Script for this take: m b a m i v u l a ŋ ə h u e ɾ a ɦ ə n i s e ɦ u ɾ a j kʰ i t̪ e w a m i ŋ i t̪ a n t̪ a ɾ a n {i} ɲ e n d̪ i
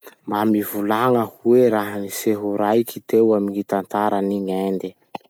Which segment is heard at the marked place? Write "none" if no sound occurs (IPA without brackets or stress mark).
i